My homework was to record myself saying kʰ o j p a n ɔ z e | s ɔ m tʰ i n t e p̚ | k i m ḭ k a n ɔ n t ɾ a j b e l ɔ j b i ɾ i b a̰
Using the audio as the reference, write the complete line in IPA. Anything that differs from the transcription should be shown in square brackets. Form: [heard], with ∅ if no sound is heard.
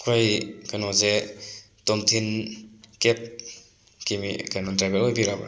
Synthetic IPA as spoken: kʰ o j [k] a n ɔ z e | [t] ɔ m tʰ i n [k] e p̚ | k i m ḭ k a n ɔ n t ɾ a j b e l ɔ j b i ɾ [a] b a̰